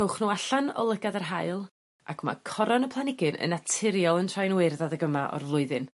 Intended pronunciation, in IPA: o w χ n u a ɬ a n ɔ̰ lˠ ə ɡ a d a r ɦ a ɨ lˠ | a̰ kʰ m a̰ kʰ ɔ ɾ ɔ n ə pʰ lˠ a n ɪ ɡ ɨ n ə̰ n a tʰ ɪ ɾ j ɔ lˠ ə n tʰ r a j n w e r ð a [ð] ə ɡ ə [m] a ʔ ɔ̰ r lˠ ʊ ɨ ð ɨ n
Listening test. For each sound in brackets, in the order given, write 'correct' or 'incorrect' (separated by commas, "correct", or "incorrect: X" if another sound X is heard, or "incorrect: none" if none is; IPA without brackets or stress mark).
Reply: correct, correct